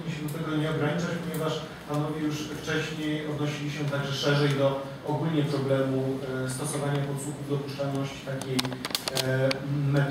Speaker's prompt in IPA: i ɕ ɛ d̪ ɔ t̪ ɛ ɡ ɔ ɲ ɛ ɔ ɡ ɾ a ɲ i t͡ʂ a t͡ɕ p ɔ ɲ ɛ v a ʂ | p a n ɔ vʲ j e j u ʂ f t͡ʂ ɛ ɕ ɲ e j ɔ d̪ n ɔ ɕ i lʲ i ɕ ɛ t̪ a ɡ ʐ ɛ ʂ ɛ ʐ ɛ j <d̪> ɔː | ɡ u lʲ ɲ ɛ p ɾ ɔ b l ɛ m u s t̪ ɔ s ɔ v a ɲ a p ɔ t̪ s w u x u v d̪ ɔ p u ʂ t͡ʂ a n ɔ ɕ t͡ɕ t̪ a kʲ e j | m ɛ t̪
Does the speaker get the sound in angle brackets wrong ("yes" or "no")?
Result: no